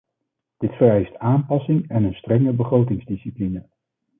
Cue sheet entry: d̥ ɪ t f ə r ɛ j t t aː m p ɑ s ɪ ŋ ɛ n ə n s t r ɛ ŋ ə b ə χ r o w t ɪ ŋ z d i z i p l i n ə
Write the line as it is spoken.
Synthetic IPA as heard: d̥ ɪ t f ə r ɛ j s t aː m p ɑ s ɪ ŋ ɛ n ə n s t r ɛ ŋ ə b ə χ r o w t ɪ ŋ z d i s i p l i n ə